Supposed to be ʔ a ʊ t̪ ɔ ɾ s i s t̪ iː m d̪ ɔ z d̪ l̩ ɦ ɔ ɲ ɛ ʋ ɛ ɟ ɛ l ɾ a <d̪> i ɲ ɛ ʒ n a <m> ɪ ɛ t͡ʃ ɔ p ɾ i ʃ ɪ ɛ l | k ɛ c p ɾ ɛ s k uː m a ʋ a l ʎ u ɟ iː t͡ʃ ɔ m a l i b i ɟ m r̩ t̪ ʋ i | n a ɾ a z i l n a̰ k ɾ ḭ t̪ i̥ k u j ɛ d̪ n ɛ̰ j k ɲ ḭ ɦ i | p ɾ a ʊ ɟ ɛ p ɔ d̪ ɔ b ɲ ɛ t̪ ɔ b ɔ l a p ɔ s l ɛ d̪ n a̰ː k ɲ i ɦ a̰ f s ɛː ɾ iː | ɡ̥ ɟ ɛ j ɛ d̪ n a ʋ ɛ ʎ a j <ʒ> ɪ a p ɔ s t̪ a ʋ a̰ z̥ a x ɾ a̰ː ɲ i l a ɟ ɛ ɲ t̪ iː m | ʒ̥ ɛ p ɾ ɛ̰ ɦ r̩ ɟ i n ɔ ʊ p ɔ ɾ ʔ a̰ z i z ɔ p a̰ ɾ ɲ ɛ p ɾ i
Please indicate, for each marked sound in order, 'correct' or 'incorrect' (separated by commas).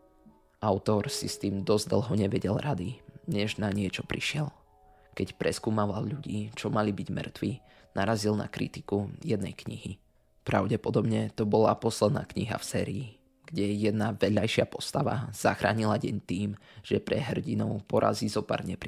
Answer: correct, incorrect, incorrect